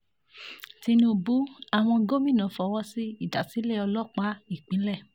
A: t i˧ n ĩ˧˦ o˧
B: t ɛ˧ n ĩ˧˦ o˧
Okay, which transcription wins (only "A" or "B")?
A